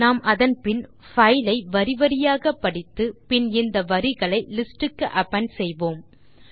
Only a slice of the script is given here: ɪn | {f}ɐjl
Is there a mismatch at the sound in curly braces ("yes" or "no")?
no